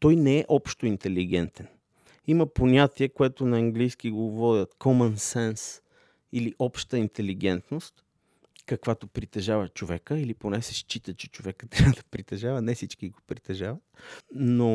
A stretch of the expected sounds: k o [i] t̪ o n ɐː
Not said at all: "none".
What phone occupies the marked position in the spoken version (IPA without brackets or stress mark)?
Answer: ɛ